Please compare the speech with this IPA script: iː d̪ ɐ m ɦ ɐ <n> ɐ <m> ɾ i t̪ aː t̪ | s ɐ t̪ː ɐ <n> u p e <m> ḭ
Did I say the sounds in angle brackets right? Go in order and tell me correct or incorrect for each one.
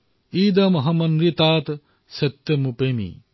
incorrect: m, incorrect: n, incorrect: m, correct

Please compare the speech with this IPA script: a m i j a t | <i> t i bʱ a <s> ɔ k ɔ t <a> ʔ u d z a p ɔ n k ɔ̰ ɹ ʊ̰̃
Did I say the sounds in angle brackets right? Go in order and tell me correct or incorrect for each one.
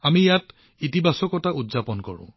correct, correct, correct

